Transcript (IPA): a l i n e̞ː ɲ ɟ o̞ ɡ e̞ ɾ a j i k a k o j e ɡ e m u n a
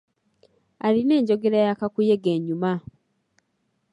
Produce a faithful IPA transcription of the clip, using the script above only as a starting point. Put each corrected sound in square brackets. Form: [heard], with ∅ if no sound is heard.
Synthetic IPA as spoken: a l i n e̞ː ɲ ɟ o̞ ɡ e̞ ɾ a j [a] k a k [u] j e ɡ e [ɲ] u [m] a